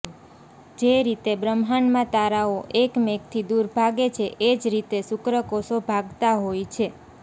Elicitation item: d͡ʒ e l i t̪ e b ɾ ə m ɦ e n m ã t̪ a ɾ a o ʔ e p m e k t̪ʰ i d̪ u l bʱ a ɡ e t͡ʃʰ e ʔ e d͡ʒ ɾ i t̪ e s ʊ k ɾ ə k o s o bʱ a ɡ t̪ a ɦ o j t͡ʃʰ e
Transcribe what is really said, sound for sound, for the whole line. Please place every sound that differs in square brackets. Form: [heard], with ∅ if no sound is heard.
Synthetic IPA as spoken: d͡ʒ e [ɾ] i t̪ e b ɾ ə m ɦ [a] n m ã t̪ a ɾ a o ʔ e [k] m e k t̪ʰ i d̪ u [ɾ] bʱ a ɡ e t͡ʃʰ e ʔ e d͡ʒ ɾ i t̪ e s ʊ k ɾ ə k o s o bʱ a ɡ t̪ a ɦ o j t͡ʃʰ e